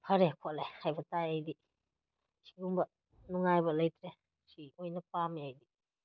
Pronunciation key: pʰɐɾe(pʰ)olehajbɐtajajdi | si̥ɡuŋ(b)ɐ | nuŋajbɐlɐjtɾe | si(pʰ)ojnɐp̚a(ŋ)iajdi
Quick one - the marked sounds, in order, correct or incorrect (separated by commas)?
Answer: incorrect, correct, incorrect, incorrect